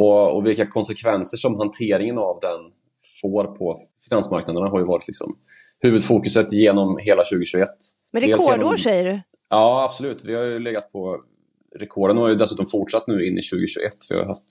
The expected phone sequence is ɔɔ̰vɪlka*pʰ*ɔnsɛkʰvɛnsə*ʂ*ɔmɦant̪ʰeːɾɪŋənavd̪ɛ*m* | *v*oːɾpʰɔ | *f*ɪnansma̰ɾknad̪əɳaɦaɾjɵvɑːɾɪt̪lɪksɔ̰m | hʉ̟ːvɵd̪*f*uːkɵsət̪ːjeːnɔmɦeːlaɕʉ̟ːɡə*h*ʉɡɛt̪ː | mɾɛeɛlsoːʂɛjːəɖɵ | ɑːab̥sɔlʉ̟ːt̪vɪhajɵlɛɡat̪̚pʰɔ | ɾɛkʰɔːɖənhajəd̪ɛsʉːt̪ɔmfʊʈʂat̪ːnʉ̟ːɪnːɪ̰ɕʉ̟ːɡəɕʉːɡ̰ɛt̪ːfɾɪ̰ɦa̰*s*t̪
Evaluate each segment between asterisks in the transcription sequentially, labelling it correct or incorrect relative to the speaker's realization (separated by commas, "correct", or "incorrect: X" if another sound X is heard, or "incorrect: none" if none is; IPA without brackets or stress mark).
incorrect: kʰ, correct, incorrect: n, incorrect: f, correct, correct, incorrect: ɕ, incorrect: f